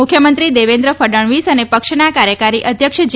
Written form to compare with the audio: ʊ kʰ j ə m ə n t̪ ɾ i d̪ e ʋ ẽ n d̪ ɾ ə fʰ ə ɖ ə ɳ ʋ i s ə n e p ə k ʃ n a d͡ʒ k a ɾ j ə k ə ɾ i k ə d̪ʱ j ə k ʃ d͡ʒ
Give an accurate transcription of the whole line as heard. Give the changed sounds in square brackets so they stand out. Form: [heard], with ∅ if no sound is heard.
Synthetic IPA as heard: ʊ kʰ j ə m ə n t̪ ɾ i d̪ e ʋ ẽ n d̪ ɾ ə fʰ ə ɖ ə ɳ ʋ i s ə n e p ə k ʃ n a [∅] k a ɾ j ə k [a] ɾ i [ʔ] ə d̪ʱ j ə k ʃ d͡ʒ